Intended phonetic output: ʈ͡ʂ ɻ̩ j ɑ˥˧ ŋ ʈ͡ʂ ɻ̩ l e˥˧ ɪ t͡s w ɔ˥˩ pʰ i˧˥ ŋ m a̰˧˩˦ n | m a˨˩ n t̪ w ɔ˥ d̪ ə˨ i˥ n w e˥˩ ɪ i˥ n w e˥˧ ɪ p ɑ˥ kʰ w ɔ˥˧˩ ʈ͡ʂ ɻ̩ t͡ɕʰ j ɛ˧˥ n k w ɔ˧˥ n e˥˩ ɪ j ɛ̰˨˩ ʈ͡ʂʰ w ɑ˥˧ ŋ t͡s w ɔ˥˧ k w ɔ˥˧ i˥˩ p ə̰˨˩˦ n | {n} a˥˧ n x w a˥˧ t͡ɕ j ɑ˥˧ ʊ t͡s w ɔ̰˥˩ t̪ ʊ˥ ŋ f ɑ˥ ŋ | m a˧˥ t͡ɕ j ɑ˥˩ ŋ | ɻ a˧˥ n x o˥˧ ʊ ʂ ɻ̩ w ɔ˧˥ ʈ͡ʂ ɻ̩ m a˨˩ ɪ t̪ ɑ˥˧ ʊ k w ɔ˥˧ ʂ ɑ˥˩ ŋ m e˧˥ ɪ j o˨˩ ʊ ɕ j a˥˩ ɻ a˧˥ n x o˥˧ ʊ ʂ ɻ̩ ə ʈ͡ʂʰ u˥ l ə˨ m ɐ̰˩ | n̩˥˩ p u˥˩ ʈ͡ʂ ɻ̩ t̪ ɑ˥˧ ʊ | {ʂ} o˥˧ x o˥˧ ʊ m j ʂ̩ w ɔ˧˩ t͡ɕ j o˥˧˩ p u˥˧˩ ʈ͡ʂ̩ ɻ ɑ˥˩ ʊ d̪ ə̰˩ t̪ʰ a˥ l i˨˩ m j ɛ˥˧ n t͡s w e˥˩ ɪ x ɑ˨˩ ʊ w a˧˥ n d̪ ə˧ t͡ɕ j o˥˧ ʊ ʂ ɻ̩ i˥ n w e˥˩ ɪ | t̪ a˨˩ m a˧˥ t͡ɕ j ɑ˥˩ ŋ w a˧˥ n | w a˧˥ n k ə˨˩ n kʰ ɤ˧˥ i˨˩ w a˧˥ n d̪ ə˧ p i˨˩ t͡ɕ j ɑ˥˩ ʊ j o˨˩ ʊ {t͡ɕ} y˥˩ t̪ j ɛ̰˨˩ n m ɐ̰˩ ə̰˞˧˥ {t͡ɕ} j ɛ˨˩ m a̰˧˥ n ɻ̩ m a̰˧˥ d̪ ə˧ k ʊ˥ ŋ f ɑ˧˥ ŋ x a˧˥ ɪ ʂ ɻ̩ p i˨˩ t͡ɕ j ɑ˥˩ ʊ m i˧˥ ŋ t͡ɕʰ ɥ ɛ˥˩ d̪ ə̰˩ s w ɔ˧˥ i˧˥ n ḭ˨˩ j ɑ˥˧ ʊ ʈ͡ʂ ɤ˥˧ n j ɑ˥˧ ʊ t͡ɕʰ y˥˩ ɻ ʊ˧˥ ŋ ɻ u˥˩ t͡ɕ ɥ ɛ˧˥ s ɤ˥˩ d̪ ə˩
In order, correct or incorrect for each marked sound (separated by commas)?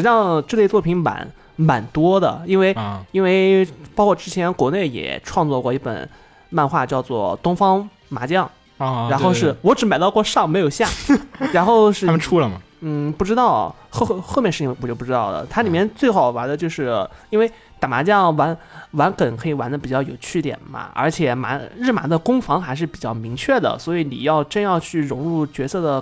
incorrect, incorrect, incorrect, incorrect